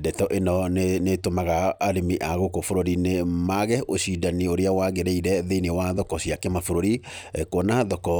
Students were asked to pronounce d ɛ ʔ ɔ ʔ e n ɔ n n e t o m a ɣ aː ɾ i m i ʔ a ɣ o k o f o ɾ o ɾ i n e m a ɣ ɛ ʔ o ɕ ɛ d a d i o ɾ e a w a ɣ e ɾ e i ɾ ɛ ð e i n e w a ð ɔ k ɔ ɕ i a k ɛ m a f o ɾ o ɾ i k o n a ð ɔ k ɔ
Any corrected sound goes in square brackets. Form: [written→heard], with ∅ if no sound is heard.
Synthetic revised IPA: d ɛ [ʔ→t] ɔ ʔ e n ɔ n n e t o m a ɣ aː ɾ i m i ʔ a ɣ o k o f o ɾ o ɾ i n e m a ɣ ɛ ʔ o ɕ [ɛ→i] d a [d→n] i o ɾ e a w a ɣ e ɾ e i ɾ ɛ ð e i n e w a ð ɔ k ɔ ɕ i a k ɛ m a f o ɾ o ɾ i k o n a ð ɔ k ɔ